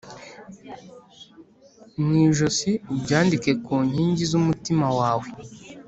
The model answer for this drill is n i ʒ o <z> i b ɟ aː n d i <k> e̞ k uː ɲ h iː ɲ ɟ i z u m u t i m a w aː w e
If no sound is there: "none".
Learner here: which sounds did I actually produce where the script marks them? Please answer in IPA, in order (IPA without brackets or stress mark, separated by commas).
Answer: s, k